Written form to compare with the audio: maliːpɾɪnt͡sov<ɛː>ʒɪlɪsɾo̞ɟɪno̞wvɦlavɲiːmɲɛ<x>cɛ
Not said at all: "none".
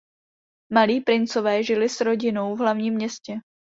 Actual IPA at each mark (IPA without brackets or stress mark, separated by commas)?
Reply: ɛː, s